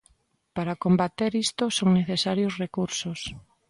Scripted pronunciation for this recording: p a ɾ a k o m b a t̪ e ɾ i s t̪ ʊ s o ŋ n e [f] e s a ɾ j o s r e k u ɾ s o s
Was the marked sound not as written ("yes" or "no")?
yes